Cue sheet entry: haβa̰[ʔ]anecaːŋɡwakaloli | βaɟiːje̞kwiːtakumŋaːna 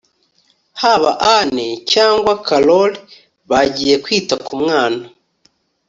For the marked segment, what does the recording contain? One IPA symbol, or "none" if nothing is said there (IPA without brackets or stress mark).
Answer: ʔ